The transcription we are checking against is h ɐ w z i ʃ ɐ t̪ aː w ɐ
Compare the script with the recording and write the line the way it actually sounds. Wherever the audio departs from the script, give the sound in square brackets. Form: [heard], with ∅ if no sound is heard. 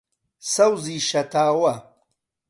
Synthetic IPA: [s] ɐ w z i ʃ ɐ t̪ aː w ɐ